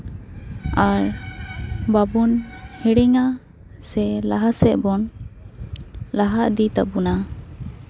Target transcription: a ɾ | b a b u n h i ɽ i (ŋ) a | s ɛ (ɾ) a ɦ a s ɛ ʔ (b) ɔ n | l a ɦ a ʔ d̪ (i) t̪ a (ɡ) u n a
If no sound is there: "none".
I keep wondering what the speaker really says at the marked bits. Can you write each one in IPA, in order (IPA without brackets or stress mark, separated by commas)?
ŋ, l, b, i, b